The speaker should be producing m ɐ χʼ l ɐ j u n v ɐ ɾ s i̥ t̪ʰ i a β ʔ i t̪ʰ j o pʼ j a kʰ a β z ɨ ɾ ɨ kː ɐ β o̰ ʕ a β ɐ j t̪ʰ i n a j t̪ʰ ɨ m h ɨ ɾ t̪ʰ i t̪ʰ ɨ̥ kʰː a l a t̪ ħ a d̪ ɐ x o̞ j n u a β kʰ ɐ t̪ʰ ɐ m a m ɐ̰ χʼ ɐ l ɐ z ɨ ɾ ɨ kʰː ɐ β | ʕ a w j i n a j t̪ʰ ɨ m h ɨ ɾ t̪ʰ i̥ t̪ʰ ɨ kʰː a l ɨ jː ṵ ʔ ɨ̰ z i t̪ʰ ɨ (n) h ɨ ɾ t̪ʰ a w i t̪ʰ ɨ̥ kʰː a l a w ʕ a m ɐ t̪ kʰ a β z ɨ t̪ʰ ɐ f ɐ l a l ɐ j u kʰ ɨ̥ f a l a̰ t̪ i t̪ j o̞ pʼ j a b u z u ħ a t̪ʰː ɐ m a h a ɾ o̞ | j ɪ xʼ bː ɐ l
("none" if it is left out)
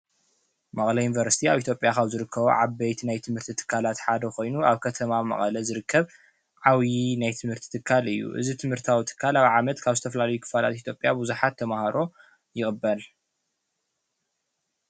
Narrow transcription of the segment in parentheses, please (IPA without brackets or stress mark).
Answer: m